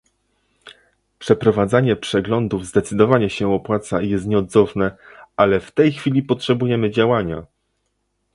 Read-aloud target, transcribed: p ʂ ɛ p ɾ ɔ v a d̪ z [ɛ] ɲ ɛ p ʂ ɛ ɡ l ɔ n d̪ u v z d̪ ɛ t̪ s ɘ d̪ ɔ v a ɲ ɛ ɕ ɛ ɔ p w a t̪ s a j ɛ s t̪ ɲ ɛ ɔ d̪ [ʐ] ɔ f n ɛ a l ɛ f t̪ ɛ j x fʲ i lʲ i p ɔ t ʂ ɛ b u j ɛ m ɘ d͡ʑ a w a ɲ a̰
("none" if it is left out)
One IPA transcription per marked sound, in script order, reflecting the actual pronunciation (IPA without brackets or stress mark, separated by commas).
a, z